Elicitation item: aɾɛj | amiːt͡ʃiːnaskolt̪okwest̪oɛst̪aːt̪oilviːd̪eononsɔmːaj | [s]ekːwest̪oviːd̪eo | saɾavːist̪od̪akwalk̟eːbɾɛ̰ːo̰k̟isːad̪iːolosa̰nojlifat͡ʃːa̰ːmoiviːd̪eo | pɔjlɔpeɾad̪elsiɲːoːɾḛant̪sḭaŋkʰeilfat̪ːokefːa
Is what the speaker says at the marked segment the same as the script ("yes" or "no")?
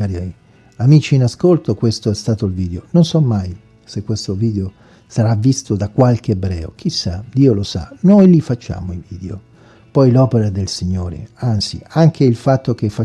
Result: yes